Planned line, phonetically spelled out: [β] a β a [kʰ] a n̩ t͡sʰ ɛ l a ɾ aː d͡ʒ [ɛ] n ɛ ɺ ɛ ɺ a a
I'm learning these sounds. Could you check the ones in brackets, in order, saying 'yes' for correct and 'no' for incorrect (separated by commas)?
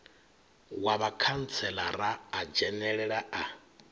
no, yes, yes